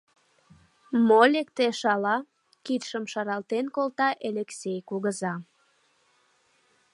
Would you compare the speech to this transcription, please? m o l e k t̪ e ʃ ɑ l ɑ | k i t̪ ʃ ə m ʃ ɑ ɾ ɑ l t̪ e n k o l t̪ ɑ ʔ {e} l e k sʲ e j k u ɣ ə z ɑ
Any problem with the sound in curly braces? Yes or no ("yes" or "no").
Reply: no